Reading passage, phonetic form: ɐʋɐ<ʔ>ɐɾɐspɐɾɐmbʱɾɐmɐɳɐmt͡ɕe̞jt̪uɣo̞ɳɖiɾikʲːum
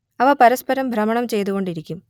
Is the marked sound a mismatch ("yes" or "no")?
yes